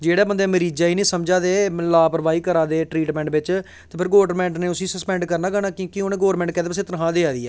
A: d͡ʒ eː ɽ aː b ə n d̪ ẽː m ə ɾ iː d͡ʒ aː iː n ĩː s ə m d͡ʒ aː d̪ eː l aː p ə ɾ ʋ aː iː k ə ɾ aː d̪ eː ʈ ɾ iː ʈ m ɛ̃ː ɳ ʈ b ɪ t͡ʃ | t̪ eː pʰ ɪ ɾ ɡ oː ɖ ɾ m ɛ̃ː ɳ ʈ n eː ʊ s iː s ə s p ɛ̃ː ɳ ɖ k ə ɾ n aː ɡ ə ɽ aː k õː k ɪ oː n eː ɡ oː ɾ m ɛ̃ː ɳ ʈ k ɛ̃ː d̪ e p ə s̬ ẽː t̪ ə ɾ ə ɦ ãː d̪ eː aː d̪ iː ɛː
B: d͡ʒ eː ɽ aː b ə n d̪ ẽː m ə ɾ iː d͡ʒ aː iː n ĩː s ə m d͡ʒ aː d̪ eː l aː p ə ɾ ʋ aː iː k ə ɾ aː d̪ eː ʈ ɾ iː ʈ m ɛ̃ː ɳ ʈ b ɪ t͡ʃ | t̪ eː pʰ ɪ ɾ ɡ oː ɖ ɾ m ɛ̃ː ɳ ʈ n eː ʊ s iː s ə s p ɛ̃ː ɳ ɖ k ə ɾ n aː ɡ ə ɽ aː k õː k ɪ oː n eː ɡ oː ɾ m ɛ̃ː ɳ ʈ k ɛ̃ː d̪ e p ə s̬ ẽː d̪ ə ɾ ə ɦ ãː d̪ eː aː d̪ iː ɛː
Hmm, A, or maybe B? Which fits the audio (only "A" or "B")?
A